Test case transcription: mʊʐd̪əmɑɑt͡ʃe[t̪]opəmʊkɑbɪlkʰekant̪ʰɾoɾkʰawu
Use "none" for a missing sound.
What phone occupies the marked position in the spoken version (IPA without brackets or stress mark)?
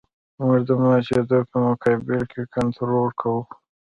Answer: d̪